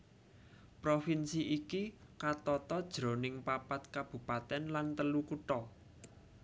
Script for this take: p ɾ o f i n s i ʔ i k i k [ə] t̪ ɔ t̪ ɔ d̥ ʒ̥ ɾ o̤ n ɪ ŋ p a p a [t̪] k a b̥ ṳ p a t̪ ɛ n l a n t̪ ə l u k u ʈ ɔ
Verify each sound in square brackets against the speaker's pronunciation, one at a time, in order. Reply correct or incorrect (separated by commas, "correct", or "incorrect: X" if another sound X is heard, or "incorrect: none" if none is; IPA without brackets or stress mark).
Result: incorrect: a, correct